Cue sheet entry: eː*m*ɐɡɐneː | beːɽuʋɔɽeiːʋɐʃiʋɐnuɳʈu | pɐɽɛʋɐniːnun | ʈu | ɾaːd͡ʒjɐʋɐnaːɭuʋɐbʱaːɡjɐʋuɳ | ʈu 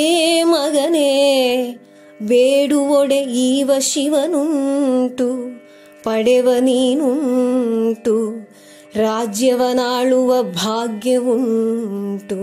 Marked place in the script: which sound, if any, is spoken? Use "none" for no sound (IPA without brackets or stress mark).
m